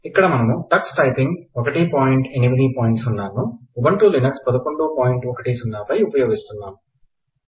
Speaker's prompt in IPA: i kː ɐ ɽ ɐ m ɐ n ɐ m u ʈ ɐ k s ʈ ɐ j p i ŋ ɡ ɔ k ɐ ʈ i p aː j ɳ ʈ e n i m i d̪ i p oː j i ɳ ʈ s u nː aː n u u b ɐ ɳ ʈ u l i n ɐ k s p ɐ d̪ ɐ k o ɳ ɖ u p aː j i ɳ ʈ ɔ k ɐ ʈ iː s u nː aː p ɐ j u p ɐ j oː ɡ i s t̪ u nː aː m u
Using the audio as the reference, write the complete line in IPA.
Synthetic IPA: i kː ɐ ɽ ɐ m ɐ n ɐ m u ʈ ɐ k s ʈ ɐ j p i ŋ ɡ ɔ k ɐ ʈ i p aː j ɳ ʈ e n i m i d̪ i p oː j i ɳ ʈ s u nː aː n u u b ɐ ɳ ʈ u l i n ɐ k s p ɐ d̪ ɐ k o ɳ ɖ u p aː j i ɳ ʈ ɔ k ɐ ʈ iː s u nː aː p ɐ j u p ɐ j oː ɡ i s t̪ u nː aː m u